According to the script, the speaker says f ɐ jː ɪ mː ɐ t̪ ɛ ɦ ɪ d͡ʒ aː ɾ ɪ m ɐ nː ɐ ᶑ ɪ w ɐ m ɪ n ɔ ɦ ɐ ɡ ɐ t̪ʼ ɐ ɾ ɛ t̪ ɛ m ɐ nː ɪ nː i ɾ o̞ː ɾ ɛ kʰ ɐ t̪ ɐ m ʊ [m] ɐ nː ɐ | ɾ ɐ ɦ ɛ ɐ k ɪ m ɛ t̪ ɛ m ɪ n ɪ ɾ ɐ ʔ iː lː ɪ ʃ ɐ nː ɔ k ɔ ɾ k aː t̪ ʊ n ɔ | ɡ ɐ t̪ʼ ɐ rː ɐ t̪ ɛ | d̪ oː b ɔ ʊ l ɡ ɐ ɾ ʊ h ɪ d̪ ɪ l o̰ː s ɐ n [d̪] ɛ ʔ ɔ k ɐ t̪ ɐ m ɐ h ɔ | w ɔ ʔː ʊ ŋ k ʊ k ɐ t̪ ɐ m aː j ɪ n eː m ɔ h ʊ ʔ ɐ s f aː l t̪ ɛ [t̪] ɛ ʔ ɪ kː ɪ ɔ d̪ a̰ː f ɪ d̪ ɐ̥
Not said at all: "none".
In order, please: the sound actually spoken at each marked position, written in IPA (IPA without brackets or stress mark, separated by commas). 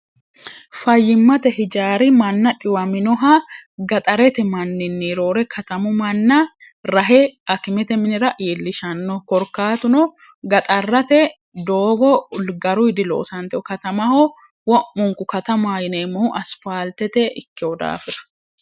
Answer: m, t̪, t̪